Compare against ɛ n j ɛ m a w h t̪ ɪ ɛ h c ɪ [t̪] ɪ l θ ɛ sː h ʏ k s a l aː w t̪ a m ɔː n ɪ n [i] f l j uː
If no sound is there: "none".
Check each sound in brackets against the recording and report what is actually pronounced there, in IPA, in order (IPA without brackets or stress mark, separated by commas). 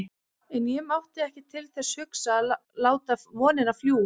t̪ʰ, a